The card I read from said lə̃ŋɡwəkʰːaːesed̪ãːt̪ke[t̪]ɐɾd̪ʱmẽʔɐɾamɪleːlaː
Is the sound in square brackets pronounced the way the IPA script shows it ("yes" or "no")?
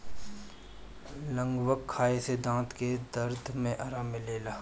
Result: no